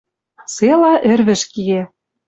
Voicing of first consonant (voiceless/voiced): voiceless